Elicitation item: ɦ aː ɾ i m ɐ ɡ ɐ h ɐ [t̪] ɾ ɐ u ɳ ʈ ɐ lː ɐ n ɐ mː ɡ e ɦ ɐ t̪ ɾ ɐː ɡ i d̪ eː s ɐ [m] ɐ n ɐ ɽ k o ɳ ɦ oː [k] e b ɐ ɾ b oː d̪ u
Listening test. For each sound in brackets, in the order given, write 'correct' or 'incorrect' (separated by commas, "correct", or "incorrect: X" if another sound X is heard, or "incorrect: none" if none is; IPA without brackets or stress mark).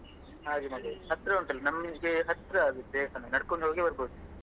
correct, incorrect: n, incorrect: ɡ